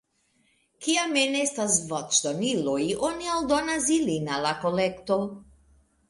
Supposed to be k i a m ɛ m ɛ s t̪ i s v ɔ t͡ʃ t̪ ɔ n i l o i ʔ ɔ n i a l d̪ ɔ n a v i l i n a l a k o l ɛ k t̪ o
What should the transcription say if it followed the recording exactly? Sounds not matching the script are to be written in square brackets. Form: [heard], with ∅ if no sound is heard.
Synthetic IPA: k i a m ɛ [n] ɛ s t̪ [a] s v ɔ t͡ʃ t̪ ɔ n i l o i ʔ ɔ n i a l d̪ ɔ n a [z] i l i n a l a k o l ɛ k t̪ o